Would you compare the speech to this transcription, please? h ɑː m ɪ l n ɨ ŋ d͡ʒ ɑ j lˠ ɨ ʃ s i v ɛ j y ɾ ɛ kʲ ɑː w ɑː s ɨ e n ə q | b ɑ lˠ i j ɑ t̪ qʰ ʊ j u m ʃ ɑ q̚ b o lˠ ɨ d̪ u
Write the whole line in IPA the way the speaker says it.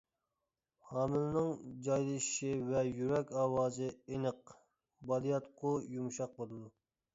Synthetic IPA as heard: h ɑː m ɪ l n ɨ ŋ d͡ʒ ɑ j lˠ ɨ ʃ ʃ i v ɛ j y ɾ ɛ kʲ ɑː w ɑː z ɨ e n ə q | b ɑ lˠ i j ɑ t̪ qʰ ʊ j u m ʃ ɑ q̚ b o lˠ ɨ d̪ u